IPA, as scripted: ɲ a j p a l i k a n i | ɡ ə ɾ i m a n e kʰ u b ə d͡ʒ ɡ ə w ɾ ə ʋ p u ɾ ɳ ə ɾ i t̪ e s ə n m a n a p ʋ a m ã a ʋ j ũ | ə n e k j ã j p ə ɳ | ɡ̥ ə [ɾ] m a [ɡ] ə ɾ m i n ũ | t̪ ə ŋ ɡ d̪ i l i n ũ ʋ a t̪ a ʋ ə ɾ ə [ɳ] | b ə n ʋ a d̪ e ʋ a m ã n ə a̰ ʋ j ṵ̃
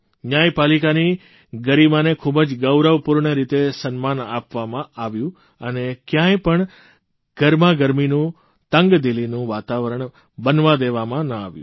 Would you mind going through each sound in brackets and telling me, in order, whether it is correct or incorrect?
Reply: correct, correct, correct

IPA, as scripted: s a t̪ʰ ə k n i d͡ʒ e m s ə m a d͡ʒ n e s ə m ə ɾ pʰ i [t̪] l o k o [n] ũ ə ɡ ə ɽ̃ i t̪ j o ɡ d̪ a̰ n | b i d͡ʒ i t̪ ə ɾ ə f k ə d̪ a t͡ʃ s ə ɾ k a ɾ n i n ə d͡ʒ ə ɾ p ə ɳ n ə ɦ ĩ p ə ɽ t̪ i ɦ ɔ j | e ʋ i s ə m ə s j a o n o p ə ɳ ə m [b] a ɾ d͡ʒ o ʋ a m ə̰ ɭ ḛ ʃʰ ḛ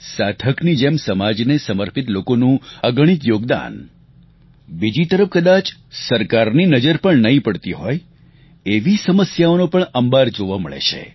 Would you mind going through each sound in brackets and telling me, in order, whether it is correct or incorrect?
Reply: correct, correct, correct

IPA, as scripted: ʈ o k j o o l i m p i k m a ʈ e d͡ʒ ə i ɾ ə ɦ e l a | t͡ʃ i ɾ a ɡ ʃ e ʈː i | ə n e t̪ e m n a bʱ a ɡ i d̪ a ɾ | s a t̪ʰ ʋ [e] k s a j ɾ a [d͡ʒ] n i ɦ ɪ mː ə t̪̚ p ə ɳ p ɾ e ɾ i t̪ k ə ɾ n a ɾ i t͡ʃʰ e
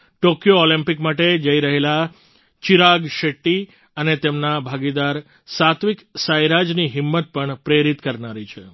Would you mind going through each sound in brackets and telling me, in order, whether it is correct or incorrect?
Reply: incorrect: i, correct

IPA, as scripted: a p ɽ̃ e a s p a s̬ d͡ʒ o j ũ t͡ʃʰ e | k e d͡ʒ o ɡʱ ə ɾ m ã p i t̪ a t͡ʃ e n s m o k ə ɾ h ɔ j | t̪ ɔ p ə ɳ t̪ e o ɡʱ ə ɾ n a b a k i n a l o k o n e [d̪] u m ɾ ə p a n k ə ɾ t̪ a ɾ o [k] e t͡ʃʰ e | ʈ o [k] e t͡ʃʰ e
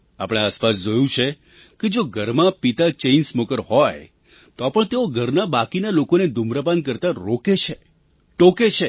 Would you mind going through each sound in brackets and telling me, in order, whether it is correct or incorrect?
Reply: correct, correct, correct

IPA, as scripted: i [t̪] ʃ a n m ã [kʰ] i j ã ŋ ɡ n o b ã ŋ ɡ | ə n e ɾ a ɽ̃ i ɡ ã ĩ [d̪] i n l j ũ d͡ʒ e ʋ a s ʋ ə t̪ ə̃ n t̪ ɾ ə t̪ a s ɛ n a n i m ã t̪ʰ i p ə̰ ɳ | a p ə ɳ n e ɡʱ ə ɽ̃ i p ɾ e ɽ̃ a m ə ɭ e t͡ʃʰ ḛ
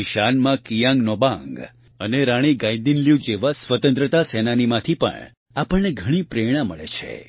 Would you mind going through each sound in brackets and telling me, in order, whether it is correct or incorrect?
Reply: incorrect: none, incorrect: k, correct

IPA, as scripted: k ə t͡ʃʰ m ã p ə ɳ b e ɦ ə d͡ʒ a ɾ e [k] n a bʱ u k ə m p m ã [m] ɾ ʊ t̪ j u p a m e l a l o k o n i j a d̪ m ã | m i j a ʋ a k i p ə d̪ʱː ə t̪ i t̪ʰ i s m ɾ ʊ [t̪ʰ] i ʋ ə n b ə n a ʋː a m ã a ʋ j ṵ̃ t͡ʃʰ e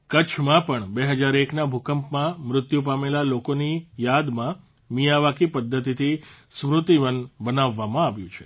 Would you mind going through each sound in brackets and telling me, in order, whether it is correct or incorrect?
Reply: correct, correct, incorrect: t̪

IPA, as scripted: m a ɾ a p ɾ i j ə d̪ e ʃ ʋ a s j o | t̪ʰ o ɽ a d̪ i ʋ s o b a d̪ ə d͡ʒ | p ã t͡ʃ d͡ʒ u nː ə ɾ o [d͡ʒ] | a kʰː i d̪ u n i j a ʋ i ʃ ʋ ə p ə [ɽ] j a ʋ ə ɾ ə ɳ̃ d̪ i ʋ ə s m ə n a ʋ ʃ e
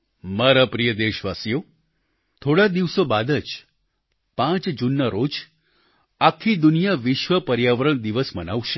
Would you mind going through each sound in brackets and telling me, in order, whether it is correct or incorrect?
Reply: correct, incorrect: ɾ

